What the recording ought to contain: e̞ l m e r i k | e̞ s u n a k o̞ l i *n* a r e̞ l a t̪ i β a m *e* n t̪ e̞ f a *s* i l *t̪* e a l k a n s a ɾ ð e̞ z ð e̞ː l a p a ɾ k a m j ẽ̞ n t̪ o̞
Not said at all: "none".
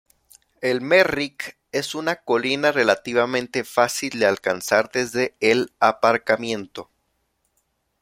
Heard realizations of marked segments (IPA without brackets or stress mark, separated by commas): n, ẽ, s, d̪